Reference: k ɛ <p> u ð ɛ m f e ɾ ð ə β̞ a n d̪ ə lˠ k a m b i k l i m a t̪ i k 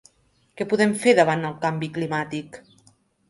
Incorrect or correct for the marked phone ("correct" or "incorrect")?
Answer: correct